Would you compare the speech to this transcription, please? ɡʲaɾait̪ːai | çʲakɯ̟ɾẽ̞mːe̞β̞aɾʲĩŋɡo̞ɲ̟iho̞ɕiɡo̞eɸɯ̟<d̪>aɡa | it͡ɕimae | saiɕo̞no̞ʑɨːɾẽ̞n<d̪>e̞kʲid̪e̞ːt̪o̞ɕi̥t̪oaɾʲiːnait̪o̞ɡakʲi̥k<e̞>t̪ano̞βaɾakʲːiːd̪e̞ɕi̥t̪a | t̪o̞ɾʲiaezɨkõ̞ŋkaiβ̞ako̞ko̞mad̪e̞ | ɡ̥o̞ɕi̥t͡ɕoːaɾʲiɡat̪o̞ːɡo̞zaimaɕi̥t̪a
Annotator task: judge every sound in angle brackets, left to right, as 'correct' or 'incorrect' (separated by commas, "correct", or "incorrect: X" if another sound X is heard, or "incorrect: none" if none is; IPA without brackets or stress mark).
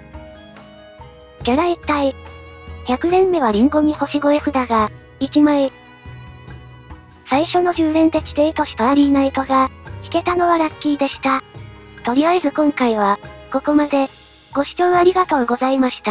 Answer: correct, incorrect: t̪, correct